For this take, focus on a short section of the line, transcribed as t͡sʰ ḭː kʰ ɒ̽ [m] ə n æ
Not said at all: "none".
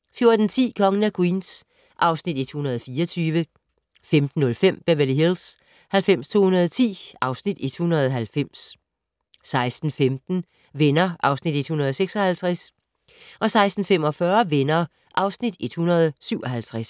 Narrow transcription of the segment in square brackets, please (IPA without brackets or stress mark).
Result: ŋ